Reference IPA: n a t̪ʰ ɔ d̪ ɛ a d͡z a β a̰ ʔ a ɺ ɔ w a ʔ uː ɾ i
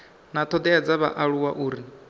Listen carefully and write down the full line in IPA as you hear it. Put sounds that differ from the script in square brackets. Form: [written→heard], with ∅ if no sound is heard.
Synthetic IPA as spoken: n a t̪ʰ ɔ d̪ ɛ a d͡z a β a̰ ʔ a ɺ [ɔ→u] w a ʔ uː ɾ i